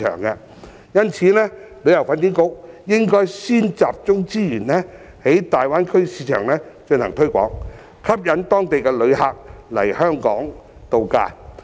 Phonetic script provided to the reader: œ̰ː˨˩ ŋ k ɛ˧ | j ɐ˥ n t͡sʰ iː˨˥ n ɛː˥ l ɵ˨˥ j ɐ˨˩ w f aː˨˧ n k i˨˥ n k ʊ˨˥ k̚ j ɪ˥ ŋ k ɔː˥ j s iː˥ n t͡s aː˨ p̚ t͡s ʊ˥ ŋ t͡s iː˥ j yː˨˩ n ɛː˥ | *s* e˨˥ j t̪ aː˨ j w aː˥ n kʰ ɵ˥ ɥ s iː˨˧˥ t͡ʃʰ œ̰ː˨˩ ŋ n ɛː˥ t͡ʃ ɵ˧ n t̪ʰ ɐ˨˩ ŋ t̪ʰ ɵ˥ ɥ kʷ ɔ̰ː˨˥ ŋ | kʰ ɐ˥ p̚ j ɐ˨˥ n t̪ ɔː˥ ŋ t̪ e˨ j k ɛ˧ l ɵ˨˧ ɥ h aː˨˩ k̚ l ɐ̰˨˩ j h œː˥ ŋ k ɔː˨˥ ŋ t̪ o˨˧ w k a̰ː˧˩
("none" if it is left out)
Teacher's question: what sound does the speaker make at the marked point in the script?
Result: h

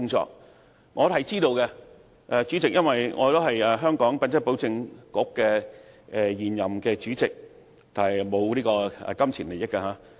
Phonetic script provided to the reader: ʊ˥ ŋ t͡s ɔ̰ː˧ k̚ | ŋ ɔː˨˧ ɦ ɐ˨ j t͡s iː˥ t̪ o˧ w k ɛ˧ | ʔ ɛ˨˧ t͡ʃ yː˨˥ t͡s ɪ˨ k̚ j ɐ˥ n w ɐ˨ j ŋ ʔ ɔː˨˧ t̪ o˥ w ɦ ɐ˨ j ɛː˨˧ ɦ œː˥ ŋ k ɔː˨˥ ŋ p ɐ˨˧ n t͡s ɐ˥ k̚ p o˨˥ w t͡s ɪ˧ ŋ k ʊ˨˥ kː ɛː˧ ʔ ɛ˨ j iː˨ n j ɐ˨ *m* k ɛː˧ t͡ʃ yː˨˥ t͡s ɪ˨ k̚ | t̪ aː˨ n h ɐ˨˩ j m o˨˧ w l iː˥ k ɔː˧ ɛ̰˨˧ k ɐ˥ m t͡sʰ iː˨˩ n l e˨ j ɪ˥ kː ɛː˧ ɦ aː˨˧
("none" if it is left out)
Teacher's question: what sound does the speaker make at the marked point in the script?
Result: m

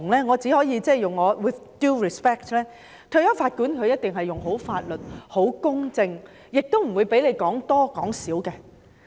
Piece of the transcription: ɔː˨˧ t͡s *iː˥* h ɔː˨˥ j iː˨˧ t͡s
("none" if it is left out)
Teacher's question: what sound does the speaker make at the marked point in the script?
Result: iː˨˥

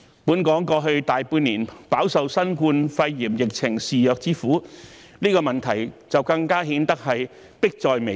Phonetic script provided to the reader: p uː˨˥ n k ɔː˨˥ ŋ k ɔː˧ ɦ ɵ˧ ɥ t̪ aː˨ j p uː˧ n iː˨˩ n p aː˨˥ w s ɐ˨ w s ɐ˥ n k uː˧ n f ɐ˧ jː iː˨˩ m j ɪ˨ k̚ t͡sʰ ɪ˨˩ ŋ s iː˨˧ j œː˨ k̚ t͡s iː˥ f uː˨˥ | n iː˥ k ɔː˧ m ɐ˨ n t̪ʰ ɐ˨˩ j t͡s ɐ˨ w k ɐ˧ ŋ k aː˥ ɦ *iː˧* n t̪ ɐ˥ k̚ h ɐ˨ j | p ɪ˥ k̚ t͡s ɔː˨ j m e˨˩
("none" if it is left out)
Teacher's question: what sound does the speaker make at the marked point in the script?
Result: iː˨˥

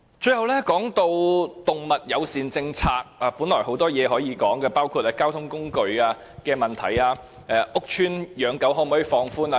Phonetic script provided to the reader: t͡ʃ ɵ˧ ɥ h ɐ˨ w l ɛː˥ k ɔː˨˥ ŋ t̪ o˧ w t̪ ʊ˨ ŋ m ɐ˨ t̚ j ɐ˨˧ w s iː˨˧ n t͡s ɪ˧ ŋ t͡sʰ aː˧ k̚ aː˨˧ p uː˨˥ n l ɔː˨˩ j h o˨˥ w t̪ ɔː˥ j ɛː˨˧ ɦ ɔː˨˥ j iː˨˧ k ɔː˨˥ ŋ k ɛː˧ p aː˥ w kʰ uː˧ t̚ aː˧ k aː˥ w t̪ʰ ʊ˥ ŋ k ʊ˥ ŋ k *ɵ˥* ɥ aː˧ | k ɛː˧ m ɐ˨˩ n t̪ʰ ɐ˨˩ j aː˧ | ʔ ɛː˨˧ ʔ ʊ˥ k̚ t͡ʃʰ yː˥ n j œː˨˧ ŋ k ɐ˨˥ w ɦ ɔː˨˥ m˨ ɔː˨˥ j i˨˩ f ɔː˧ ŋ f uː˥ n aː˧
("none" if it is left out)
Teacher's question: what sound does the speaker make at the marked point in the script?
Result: ɵ˧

